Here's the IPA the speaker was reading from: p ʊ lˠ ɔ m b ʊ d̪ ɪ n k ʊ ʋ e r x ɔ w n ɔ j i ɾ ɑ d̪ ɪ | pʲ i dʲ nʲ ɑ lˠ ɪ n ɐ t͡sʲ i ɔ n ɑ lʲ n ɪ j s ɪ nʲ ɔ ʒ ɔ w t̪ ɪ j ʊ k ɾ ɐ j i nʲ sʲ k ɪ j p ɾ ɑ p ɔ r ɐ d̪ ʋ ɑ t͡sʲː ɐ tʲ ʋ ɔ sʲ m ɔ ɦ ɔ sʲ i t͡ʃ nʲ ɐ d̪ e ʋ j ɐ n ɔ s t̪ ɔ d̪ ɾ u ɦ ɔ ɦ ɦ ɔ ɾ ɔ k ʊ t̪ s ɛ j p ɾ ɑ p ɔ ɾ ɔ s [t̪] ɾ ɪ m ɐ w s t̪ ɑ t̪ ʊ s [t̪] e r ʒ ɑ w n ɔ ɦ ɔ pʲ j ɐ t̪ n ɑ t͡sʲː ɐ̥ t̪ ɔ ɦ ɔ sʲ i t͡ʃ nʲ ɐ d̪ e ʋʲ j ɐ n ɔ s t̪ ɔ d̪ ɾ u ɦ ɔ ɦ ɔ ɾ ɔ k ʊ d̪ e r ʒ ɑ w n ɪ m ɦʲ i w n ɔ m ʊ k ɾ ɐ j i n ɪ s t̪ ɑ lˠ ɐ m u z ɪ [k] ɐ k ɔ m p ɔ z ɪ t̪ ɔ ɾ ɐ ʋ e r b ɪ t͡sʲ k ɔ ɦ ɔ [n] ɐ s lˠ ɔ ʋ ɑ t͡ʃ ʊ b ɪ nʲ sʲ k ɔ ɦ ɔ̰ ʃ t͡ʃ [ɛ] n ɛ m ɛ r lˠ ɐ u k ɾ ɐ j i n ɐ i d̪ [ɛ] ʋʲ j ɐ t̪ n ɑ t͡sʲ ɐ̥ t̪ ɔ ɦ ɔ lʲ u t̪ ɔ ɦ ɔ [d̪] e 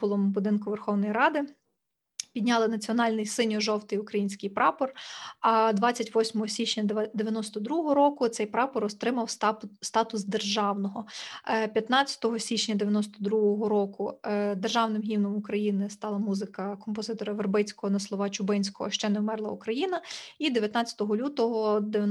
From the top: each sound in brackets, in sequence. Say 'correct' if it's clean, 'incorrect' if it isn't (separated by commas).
correct, incorrect, correct, correct, correct, incorrect, correct